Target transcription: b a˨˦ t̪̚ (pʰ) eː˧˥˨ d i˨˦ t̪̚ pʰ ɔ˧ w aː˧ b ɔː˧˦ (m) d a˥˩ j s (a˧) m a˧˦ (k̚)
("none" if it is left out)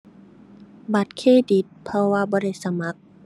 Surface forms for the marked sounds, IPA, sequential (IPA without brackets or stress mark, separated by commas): kʰ, none, a˧, k̚